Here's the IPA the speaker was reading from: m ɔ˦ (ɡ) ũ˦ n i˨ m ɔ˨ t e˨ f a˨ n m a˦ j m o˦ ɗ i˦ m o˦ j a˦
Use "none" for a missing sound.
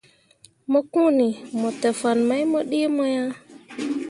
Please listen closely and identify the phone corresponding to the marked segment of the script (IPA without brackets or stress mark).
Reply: k